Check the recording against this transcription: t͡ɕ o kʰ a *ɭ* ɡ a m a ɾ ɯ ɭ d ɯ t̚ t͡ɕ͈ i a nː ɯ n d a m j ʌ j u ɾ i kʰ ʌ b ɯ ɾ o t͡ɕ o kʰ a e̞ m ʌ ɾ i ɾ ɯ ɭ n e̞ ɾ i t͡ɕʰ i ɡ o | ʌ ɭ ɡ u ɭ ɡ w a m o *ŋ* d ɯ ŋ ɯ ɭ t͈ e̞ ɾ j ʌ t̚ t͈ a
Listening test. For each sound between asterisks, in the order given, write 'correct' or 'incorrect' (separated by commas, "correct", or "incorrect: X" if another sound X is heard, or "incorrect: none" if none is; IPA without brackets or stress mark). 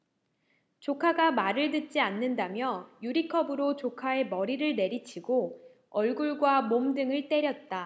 incorrect: none, incorrect: m